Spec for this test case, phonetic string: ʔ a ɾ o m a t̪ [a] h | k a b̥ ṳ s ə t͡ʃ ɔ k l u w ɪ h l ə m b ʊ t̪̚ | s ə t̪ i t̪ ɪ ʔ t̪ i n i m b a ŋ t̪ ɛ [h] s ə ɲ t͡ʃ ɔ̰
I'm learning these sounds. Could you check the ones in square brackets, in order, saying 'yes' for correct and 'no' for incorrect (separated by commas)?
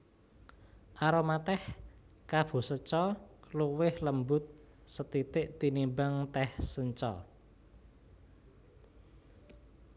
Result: no, yes